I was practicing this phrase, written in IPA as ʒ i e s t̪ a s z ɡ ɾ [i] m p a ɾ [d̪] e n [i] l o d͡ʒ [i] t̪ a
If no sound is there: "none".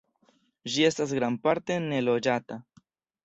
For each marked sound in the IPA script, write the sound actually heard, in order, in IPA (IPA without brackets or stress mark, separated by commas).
a, t̪, e, a